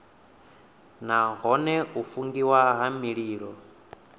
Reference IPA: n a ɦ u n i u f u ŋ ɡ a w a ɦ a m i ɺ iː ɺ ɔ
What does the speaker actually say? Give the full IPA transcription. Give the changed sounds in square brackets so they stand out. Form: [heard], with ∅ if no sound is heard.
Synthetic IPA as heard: n a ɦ [ɔ] n [ɛ] u f u ŋ ɡ [i] w a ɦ a m i ɺ iː ɺ ɔ